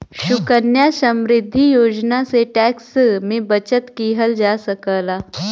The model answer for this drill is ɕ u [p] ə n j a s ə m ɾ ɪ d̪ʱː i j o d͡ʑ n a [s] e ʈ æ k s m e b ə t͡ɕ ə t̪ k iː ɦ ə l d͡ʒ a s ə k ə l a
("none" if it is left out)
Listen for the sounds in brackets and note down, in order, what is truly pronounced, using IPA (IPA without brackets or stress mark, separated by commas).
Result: k, s